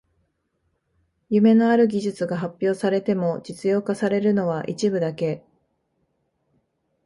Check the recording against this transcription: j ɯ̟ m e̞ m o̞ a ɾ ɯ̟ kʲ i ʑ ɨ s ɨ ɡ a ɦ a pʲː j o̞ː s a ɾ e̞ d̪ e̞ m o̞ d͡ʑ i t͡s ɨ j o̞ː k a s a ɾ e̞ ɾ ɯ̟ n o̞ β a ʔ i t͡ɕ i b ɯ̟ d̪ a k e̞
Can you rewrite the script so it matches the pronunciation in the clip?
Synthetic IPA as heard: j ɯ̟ m e̞ n o̞ a ɾ ɯ̟ ɡʲ i ʑ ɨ t͡s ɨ ɡ a ɦ a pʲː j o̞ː s a ɾ e̞ t̪ e̞ m o̞ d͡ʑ i t͡s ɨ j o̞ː k a s a ɾ e̞ ɾ ɯ̟ n o̞ β a ʔ i t͡ɕ i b ɯ̟ d̪ a k e̞